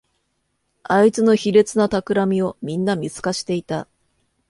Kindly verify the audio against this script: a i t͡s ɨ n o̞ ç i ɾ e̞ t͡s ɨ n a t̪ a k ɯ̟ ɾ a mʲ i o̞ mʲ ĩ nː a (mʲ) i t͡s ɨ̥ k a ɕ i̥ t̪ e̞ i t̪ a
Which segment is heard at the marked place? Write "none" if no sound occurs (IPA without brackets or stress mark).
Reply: mʲ